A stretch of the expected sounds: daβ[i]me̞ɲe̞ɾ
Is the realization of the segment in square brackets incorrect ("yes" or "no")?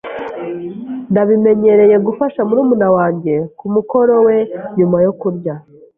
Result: no